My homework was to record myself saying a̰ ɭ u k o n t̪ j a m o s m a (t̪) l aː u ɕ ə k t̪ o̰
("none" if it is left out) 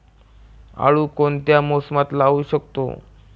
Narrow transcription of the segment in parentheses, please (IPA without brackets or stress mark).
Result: t̪